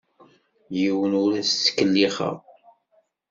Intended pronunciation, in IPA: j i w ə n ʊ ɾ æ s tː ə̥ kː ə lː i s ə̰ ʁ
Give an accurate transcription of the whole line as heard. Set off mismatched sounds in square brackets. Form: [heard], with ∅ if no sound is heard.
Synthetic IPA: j i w ə n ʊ ɾ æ s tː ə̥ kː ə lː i [χ] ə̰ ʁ

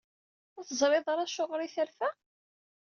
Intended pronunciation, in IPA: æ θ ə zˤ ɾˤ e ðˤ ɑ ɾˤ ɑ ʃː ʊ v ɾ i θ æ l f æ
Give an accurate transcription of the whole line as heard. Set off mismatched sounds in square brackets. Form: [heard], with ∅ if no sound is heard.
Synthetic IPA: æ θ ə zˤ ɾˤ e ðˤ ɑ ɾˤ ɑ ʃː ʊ [ʁ] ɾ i θ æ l f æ

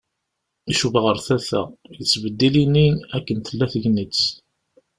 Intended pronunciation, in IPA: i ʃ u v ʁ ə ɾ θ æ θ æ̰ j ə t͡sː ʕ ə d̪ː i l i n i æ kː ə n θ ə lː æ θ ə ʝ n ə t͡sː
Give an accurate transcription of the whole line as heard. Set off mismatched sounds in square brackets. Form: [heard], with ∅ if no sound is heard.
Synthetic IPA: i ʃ u v ʁ ə ɾ θ æ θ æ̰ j ə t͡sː [v] ə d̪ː i l i n i æ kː ə n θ ə lː æ θ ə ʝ n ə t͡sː

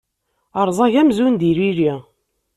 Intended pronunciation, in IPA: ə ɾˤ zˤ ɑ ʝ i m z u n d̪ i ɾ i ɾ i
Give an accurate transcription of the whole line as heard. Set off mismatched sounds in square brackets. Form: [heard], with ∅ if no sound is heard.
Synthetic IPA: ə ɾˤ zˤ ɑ ʝ [æ] m z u n d̪ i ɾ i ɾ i

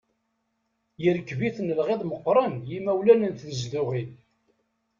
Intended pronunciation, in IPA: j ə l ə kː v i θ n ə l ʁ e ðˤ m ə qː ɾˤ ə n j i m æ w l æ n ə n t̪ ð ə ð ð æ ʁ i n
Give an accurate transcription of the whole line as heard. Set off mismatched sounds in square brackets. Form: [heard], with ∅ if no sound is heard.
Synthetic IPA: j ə [ɾ] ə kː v i θ n ə l ʁ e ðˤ m ə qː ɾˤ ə n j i m æ w l æ n ə n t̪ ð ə [z] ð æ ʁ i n

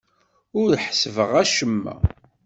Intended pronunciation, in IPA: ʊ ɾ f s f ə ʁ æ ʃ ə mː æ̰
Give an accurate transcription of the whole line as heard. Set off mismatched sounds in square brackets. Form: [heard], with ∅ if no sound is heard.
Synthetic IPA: ʊ ɾ [ħ] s [v] ə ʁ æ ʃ ə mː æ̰

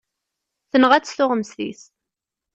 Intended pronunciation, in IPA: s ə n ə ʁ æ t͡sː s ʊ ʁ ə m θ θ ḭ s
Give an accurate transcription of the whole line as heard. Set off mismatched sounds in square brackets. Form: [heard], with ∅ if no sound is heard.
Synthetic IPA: [θ] ə n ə ʁ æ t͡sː [θ] ʊ ʁ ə m [s] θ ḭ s

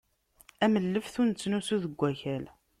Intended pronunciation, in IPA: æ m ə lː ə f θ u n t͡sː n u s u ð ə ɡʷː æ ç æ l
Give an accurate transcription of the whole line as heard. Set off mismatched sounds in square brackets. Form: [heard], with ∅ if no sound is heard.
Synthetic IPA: æ m ə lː ə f θ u n t͡sː n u s u ð ə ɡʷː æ ç æ l

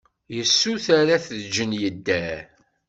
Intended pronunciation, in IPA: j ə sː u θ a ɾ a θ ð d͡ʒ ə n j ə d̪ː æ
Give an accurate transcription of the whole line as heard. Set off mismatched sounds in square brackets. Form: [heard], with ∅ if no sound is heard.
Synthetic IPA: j ə sː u θ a ɾ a θ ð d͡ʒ ə n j ə d̪ː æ

